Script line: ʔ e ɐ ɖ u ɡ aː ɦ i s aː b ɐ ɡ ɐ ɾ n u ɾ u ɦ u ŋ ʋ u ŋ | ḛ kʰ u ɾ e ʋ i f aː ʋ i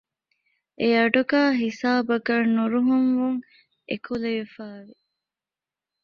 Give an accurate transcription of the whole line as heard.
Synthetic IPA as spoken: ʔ e ɐ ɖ u ɡ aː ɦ i s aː b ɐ ɡ ɐ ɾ n u ɾ u ɦ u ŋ ʋ u ŋ | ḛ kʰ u l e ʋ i f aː ʋ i